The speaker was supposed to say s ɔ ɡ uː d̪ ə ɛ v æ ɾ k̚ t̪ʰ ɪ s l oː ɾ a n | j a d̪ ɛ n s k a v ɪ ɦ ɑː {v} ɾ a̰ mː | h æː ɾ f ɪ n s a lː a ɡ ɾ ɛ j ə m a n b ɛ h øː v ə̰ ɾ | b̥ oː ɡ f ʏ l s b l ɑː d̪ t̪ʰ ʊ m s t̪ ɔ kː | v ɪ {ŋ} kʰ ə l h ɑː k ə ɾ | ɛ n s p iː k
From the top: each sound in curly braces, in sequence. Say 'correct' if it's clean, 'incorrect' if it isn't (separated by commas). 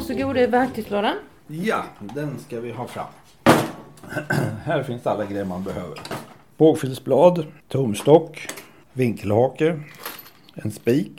incorrect, correct